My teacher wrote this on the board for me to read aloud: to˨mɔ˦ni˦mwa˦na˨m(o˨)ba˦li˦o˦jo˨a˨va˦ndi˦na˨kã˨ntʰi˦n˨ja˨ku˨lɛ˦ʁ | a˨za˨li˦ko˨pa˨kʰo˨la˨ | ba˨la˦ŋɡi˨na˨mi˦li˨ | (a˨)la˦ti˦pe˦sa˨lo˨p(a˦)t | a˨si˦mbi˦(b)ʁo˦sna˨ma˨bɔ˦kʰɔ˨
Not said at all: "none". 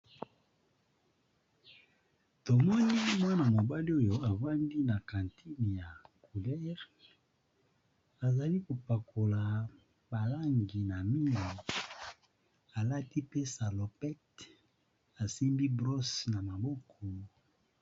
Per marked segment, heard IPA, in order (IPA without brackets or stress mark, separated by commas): o˨, a˨, ɛ˦, b